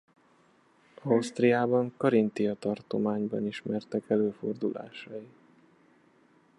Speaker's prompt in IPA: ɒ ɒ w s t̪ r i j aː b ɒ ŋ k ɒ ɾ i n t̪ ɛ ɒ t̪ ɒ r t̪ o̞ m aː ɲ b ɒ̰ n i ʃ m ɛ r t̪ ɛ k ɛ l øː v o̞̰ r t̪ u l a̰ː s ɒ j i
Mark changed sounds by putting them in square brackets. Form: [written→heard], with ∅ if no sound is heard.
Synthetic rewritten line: ɒ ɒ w s t̪ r i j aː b ɒ ŋ k ɒ ɾ i n t̪ [ɛ→i] ɒ t̪ ɒ r t̪ o̞ m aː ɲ b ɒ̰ n i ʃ m ɛ r t̪ ɛ k ɛ l øː [v→f] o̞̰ r [t̪→d̪] u l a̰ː [s→ʃ] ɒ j i

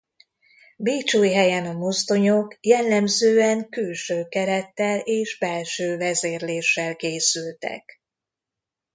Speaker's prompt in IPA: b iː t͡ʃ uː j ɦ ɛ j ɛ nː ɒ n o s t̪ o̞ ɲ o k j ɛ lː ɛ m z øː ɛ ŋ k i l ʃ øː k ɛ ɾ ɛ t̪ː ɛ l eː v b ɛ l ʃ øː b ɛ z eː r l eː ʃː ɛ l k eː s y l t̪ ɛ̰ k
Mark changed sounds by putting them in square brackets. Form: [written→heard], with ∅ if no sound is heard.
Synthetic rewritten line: b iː t͡ʃ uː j ɦ ɛ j ɛ [nː→n] ɒ [n→m] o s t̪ o̞ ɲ o k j ɛ lː ɛ m z øː ɛ ŋ k [i→y] l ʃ øː k ɛ ɾ ɛ t̪ː ɛ l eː [v→ʒ] b ɛ l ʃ øː [b→v] ɛ z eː r l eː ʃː ɛ l k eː s y l t̪ ɛ̰ k

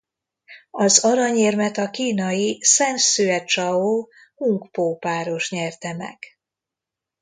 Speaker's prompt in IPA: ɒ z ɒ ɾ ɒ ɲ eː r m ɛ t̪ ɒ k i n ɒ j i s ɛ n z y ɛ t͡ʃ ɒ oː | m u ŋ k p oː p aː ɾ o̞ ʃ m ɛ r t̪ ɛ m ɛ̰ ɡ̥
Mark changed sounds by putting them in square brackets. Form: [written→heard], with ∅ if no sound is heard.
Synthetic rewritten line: ɒ z ɒ ɾ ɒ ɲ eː r m ɛ t̪ ɒ k [i→iː] n ɒ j i s ɛ n [z→s] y ɛ t͡ʃ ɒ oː | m u ŋ k p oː p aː ɾ o̞ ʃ [m→ɲ] ɛ r t̪ ɛ m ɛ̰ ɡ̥

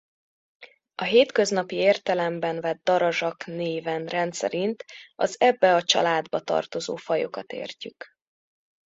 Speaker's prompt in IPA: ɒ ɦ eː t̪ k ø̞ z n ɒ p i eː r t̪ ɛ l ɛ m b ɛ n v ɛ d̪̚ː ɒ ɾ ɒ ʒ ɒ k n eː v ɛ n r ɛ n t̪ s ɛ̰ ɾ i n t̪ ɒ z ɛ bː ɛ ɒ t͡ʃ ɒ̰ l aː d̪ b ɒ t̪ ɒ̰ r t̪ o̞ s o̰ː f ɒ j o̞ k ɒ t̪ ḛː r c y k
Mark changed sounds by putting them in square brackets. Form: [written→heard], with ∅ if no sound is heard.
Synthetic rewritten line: ɒ ɦ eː t̪ k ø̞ z n ɒ p i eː r t̪ ɛ l ɛ m b ɛ n v ɛ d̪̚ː ɒ ɾ ɒ ʒ ɒ k n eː v ɛ n r ɛ n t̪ s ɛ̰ ɾ i n t̪ ɒ z ɛ bː ɛ ɒ t͡ʃ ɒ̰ l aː d̪ b ɒ t̪ ɒ̰ r t̪ o̞ [s→z] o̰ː f ɒ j o̞ k ɒ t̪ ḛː r c y k

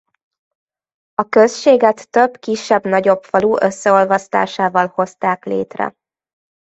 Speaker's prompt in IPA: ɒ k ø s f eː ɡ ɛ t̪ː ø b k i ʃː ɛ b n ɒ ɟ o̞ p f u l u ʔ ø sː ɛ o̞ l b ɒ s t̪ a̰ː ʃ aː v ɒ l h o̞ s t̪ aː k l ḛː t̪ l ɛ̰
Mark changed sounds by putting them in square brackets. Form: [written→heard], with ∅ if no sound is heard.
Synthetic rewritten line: ɒ k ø s [f→ʃ] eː ɡ ɛ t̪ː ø b k i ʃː ɛ b n ɒ ɟ o̞ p f [u→ɒ] l u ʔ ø sː ɛ o̞ l [b→v] ɒ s t̪ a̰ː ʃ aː v ɒ l h o̞ s t̪ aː k l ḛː t̪ [l→r] ɛ̰

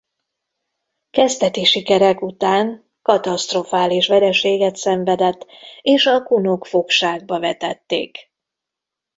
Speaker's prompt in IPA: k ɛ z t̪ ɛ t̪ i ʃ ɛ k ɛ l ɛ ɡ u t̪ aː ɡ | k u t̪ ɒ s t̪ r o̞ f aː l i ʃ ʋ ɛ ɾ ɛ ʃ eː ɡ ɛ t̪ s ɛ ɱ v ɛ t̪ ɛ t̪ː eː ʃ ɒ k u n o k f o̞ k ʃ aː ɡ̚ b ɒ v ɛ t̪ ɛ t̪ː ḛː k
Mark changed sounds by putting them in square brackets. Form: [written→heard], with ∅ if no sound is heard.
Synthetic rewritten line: k ɛ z t̪ ɛ t̪ i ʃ [ɛ→i] k ɛ [l→ɾ] ɛ [ɡ→k] u t̪ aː [ɡ→ŋ] | k [u→ɒ] t̪ ɒ s t̪ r o̞ f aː l i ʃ ʋ ɛ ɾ ɛ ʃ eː ɡ ɛ t̪ s ɛ ɱ v ɛ [t̪→d̪] ɛ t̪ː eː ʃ ɒ k u n o k f o̞ k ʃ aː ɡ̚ b ɒ v ɛ t̪ ɛ t̪ː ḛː k

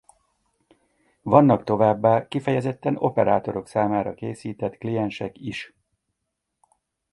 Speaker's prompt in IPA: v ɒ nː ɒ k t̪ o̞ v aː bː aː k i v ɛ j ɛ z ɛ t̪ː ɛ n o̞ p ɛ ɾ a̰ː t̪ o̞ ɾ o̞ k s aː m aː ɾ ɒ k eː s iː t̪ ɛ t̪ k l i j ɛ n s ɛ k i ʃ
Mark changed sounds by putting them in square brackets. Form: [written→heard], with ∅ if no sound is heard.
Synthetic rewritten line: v ɒ nː ɒ k t̪ o̞ v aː bː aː k i [v→f] ɛ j ɛ z ɛ t̪ː ɛ n o̞ p ɛ ɾ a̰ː t̪ o̞ ɾ o̞ k s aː m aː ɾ ɒ k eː s iː t̪ ɛ t̪ k l i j ɛ n [s→ʃ] ɛ k i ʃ

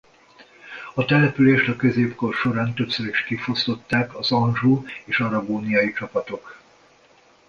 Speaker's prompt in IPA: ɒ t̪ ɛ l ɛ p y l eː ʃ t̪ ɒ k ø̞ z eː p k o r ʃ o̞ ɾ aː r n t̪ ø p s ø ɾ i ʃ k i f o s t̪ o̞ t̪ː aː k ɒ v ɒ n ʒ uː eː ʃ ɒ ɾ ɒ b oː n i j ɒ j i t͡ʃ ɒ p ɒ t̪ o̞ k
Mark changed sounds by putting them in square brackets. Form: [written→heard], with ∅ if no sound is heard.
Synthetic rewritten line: ɒ t̪ ɛ l ɛ p y l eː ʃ t̪ ɒ k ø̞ z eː p k o r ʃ o̞ ɾ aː [r→∅] n t̪ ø p s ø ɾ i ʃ k i f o s t̪ o̞ t̪ː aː k ɒ [v→z] ɒ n ʒ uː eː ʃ ɒ ɾ ɒ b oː n i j ɒ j i t͡ʃ ɒ p ɒ t̪ o̞ k

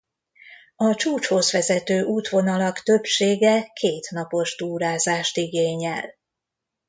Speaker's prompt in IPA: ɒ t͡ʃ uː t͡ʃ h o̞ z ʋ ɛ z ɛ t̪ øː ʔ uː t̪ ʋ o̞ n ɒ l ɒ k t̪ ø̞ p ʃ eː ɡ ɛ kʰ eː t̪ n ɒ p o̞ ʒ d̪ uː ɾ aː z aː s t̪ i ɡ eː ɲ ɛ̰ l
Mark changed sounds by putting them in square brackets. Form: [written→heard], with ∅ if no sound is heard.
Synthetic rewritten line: ɒ t͡ʃ uː t͡ʃ h o̞ z ʋ ɛ z ɛ t̪ øː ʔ uː t̪ ʋ o̞ n ɒ l ɒ k t̪ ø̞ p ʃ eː ɡ ɛ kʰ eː t̪ n ɒ p o̞ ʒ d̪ uː ɾ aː z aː [s→ʃ] t̪ i ɡ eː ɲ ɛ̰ l

